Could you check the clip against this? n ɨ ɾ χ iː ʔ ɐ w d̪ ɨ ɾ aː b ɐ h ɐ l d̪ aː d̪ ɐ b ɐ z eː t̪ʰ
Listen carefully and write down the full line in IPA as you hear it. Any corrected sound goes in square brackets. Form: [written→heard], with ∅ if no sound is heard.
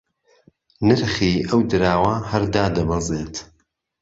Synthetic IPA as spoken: n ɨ ɾ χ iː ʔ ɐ w d̪ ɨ ɾ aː [b→w] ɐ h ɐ [l→ɾ] d̪ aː d̪ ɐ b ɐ z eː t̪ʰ